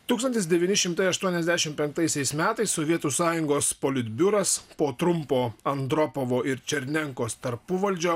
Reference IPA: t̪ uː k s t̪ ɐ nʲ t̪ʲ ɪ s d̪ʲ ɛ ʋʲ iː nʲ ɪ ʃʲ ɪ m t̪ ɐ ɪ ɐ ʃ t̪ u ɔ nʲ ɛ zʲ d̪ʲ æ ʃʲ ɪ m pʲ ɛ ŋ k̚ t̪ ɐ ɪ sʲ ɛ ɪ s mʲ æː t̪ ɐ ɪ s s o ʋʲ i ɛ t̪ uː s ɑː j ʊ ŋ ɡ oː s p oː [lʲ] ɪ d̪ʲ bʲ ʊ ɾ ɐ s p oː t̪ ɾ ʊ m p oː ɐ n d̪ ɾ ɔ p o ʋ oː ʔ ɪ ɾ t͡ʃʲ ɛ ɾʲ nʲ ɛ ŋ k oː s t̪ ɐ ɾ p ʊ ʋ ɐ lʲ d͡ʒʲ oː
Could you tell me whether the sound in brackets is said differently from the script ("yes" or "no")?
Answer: no